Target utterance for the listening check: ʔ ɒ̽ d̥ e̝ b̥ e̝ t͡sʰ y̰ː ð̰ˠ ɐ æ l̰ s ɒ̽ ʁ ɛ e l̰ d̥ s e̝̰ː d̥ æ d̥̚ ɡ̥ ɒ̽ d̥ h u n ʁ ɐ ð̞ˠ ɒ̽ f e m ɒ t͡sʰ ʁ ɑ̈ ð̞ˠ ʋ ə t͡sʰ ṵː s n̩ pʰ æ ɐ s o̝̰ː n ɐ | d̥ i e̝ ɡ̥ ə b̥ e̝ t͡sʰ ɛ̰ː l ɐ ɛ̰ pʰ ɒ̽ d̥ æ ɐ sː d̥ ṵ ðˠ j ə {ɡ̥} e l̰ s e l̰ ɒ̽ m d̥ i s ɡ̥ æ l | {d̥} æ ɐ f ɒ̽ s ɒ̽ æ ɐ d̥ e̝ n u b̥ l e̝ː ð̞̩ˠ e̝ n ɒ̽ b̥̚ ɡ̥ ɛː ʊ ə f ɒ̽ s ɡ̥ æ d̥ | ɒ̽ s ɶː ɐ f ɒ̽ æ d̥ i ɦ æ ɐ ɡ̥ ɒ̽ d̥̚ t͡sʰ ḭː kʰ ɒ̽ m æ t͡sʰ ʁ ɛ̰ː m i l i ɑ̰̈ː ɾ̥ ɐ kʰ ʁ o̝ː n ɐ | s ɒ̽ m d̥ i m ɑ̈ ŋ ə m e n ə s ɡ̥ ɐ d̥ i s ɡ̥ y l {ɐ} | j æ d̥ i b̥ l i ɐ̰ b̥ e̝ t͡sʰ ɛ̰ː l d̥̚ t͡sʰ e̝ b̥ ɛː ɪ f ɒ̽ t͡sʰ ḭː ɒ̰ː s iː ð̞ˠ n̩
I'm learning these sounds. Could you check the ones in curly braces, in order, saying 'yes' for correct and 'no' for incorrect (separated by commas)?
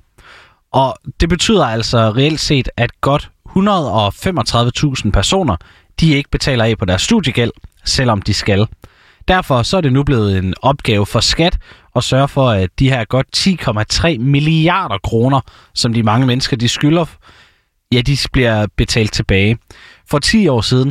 yes, yes, yes